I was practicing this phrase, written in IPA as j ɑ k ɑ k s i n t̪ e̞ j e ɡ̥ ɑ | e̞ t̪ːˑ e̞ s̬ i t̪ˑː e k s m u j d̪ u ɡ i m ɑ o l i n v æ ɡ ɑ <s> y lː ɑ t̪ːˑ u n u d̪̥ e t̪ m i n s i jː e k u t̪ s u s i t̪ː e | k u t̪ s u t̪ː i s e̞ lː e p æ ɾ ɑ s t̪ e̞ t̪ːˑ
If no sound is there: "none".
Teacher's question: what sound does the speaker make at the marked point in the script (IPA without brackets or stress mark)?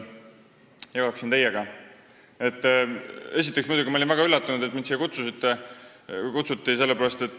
none